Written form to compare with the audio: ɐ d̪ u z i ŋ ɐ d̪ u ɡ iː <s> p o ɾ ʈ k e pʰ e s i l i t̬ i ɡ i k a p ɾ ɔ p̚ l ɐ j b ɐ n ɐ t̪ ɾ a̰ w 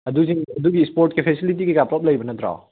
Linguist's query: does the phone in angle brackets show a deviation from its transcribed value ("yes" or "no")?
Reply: no